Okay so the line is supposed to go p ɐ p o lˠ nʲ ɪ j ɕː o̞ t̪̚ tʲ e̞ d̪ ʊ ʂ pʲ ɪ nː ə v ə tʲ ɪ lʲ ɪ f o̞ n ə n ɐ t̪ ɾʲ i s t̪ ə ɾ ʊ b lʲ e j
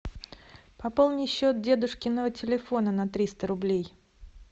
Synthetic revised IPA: p ɐ p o lˠ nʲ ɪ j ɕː o̞ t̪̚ dʲ e̞ d̪ ʊ ʂ kʲ ɪ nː ə v ə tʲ ɪ lʲ ɪ f o̞ n ə n ɐ t̪ ɾʲ i s t̪ ə ɾ ʊ b lʲ e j